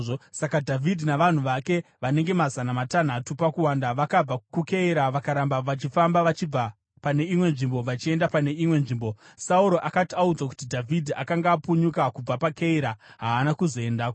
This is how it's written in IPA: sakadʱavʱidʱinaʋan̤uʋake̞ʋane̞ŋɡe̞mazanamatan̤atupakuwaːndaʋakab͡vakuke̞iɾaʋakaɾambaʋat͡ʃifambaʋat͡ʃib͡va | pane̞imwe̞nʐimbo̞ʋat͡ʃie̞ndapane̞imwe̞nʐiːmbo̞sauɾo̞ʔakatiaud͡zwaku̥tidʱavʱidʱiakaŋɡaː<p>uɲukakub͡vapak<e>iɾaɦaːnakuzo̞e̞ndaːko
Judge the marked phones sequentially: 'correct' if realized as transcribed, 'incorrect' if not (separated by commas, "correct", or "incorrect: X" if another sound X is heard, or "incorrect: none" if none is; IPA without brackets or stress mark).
correct, correct